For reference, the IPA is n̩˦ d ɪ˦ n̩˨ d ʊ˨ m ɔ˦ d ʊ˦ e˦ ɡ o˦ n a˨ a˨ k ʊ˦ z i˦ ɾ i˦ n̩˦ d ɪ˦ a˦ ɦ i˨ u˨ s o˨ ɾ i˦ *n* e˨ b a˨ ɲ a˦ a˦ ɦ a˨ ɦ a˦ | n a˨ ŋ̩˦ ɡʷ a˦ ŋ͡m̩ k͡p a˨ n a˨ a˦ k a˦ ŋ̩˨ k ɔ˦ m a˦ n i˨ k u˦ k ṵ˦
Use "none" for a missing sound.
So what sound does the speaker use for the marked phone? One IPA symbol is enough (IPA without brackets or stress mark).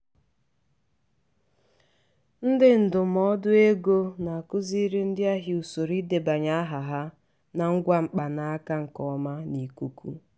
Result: d